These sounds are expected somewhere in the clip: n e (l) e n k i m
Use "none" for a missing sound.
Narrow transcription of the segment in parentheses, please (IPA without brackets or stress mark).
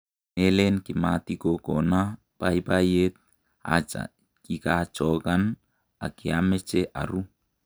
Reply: l